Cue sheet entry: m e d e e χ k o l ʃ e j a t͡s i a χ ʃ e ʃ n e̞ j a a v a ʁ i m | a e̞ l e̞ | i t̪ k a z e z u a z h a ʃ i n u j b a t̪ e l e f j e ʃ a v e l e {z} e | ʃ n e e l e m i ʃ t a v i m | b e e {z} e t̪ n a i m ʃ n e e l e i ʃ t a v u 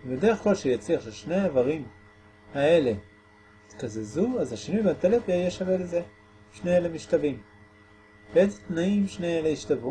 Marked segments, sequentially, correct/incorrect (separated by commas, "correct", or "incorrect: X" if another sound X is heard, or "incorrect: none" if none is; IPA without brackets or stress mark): correct, correct